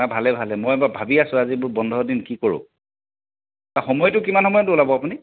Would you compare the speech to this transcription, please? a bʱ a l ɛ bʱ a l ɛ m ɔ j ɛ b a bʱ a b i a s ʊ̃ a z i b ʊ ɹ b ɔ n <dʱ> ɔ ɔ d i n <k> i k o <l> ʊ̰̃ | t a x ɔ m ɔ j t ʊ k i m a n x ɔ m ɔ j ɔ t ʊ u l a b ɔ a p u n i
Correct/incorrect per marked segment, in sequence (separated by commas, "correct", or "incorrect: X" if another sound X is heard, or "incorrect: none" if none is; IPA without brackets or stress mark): correct, correct, incorrect: ɹ